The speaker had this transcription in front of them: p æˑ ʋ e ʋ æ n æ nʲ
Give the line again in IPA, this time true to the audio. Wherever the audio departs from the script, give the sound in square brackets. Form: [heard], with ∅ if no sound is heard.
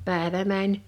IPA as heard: p æˑ [∅] e ʋ æ [m] æ nʲ